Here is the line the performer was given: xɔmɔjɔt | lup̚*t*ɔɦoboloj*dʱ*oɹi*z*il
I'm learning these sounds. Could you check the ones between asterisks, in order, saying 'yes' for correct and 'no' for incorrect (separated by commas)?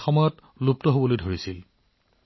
yes, yes, no